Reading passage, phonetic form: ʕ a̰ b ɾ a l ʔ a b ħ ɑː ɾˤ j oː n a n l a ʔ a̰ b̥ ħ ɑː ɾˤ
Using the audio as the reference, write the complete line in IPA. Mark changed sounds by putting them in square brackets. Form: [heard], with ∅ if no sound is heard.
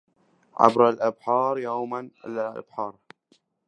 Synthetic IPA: ʕ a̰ b ɾ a l ʔ a b ħ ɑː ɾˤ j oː [m] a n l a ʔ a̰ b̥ ħ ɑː ɾˤ